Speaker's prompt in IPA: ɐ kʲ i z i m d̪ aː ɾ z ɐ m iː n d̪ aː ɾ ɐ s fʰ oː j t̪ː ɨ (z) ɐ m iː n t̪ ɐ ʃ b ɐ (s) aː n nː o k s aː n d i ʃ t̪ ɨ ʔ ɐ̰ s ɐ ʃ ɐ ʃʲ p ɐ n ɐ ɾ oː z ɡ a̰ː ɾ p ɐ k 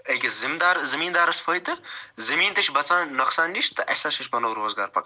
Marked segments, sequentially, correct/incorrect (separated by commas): correct, incorrect